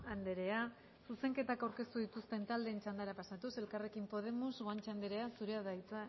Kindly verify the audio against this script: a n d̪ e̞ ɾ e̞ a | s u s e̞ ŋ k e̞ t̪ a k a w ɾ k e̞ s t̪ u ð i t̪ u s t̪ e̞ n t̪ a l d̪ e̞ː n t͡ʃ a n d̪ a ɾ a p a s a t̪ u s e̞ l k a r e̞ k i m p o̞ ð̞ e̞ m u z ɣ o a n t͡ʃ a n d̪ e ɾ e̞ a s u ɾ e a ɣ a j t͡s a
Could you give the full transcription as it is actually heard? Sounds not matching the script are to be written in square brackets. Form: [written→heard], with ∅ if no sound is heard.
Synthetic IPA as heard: a n d̪ e̞ ɾ e̞ a | s u s e̞ ŋ k e̞ t̪ a k a w ɾ k e̞ s t̪ u ð i t̪ u s t̪ e̞ n t̪ a l d̪ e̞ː n t͡ʃ a n d̪ a ɾ a p a s a t̪ u s e̞ l k a r e̞ k i m p o̞ ð̞ e̞ m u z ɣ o a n t͡ʃ a n d̪ e ɾ e̞ a s u ɾ e a [ɣ→ð] a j t͡s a

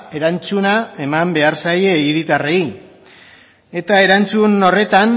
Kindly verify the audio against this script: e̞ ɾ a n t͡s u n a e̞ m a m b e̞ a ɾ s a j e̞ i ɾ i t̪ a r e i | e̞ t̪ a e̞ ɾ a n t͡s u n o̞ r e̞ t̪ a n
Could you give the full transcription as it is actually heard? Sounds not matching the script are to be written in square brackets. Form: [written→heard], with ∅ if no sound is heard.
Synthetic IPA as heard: e̞ ɾ a n t͡s u n a e̞ m a m b e̞ a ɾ s a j e̞ i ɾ i t̪ a r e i | e̞ t̪ a e̞ ɾ a n t͡s u n o̞ r e̞ t̪ a n

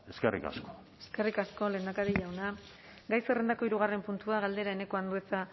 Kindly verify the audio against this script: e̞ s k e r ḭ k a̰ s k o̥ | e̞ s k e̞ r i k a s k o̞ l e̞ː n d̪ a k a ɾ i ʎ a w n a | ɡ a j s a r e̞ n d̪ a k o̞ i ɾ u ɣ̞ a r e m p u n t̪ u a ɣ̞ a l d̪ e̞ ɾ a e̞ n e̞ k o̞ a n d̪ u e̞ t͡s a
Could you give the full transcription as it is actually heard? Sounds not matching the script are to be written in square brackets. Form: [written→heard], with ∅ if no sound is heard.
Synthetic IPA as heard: e̞ s k e r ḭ k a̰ s k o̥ | e̞ s k e̞ r i k a s k o̞ l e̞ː n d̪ a k a ɾ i ʎ a w n a | ɡ a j s [a→e] r e̞ n d̪ a k o̞ i ɾ u ɣ̞ a r e m p u n t̪ u a ɣ̞ a l d̪ e̞ ɾ a e̞ n e̞ k o̞ a n d̪ u e̞ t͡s a

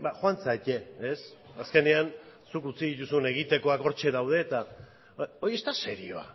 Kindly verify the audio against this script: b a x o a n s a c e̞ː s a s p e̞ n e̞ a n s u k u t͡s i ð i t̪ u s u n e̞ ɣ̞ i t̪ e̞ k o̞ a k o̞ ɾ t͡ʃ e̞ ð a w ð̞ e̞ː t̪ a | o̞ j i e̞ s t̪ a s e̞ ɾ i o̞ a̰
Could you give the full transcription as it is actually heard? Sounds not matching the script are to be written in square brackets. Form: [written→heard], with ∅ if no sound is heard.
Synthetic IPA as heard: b a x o a n [s→t͡s] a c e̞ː s a s [p→k] e̞ n e̞ a n s u k u t͡s i ð i t̪ u s u n e̞ ɣ̞ i t̪ e̞ k o̞ a k o̞ ɾ t͡ʃ e̞ ð a w ð̞ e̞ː t̪ a | o̞ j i e̞ s t̪ a s e̞ ɾ i o̞ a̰

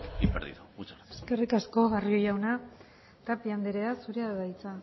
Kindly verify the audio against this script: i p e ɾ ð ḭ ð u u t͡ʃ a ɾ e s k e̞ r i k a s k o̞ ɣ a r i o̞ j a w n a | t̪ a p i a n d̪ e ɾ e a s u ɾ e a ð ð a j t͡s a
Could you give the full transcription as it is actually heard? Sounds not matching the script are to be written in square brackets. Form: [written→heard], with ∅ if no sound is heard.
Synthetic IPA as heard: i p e ɾ ð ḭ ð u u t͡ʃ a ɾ e s k e̞ r i k a s k o̞ ɣ a r i o̞ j a w n a | t̪ a p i a n d̪ e ɾ e a s u ɾ e a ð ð a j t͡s a

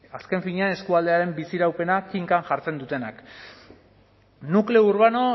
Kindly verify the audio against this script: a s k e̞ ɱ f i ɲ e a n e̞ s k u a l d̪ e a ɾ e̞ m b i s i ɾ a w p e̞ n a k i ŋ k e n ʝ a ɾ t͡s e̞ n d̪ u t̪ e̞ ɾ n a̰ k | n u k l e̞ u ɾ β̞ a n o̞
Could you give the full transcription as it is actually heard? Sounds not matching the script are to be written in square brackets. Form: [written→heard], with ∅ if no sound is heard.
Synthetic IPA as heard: a s k e̞ ɱ f i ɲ e a n e̞ s k u a l d̪ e a ɾ e̞ m b i s i ɾ a w p e̞ n a k i ŋ k [e→a] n ʝ a ɾ t͡s e̞ n d̪ u t̪ e̞ [ɾ→∅] n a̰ k | n u k l e̞ u ɾ β̞ a n o̞

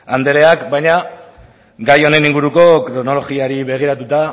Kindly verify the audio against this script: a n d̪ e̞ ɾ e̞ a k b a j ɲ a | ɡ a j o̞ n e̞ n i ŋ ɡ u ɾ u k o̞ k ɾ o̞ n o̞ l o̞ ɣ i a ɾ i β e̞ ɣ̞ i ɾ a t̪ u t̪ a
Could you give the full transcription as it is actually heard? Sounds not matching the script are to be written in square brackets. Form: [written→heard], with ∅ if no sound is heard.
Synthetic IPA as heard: a n d̪ e̞ ɾ e̞ a k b a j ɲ a | ɡ a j o̞ n e̞ n i ŋ ɡ u ɾ u k o̞ k ɾ o̞ n o̞ l o̞ ɣ i a ɾ i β e̞ ɣ̞ i ɾ a t̪ u t̪ a

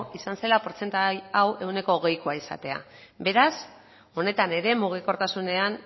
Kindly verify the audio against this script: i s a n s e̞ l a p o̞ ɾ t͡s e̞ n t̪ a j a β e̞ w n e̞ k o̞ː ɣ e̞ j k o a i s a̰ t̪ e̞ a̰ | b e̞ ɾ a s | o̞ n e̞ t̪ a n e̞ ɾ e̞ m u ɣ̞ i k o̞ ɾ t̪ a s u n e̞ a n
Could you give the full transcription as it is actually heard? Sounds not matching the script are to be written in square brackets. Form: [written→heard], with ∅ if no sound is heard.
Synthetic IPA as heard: i s a n s e̞ l a p o̞ ɾ t͡s e̞ n t̪ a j a [β→w] e̞ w n e̞ k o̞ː ɣ e̞ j k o a i s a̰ t̪ e̞ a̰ | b e̞ ɾ a s | o̞ n e̞ t̪ a n e̞ ɾ e̞ m u ɣ̞ i k o̞ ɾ t̪ a s u n e̞ a n

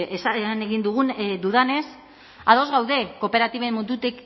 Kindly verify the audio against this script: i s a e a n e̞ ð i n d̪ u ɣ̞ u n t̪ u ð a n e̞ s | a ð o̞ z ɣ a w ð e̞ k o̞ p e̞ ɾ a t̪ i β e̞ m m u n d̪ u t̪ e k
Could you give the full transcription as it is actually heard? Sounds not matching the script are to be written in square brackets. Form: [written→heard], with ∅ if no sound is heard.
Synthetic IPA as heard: [i→e] s a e a n e̞ [ð→ɣ] i n d̪ u ɣ̞ u n [t̪→d̪] u ð a n e̞ s | a ð o̞ z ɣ a w ð e̞ k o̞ p e̞ ɾ a t̪ i β e̞ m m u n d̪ u t̪ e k

